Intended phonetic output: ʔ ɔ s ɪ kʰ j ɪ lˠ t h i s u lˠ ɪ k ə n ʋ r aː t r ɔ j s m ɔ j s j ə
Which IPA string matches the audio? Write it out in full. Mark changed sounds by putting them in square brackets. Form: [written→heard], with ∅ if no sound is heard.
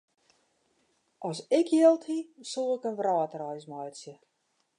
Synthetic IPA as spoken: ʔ ɔ s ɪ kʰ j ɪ lˠ t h i s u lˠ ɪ k ə n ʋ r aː t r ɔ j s m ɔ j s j ə